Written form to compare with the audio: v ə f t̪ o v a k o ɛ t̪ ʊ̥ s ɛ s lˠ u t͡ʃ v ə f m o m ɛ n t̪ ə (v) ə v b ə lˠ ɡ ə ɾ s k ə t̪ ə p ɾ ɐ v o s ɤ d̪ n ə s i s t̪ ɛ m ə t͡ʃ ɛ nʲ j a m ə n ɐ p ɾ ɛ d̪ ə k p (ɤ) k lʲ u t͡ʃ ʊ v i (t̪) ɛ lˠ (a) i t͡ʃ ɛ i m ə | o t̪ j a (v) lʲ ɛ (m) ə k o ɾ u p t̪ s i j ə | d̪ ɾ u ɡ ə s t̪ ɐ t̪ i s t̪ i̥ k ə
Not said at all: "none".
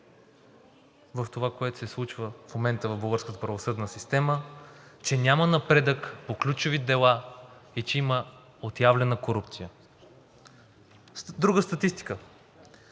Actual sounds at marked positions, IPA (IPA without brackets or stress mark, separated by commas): v, o, d̪, a, v, n